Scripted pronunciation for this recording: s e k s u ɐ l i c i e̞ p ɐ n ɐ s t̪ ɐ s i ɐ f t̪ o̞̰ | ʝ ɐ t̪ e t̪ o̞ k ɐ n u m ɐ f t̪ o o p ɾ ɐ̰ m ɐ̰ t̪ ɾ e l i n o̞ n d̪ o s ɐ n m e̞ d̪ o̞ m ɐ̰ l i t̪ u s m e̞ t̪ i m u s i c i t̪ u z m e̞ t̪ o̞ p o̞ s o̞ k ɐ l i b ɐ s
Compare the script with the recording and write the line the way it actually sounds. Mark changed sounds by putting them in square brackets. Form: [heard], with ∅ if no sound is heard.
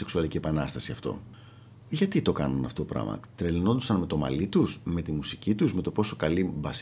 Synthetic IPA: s e k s u ɐ l i c i e̞ p ɐ n ɐ s t̪ ɐ s i ɐ f t̪ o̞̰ | ʝ ɐ t̪ [i] t̪ o̞ k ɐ n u [n] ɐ f t̪ o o p ɾ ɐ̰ m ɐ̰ t̪ ɾ e l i n o̞ n d̪ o s ɐ n m e̞ [t̪] o̞ m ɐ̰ l i t̪ u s m e̞ t̪ i m u s i c i t̪ u z m e̞ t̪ o̞ p o̞ s o̞ k ɐ l i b ɐ s